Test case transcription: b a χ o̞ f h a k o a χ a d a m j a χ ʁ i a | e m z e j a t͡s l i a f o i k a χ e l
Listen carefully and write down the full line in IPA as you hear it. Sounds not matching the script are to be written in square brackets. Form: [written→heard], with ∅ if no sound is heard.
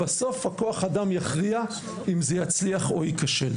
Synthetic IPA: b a [χ→s] o̞ f h a k o a χ a d a m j a χ ʁ i a | [e→i] m z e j a t͡s l i a [f→χ] o i k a [χ→ʃ] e l